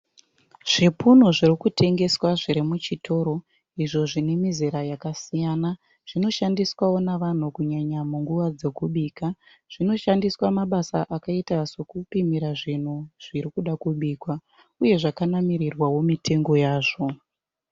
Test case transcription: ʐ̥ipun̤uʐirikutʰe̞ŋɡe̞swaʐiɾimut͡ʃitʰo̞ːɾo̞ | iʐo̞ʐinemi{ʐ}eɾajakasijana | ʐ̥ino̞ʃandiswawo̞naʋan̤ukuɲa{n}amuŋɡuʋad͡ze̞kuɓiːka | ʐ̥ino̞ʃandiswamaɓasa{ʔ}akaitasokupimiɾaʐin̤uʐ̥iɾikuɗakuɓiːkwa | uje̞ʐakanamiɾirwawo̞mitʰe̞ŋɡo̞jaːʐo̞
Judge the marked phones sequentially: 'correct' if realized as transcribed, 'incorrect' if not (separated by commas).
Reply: incorrect, incorrect, correct